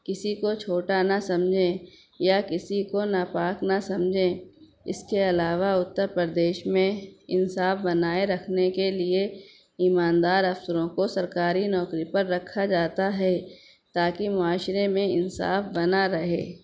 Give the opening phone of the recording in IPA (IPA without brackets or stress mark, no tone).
k